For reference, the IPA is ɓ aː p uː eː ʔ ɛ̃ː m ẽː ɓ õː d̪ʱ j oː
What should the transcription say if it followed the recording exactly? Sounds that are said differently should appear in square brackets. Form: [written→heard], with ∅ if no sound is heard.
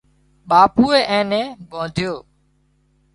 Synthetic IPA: ɓ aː p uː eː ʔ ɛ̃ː [m→n] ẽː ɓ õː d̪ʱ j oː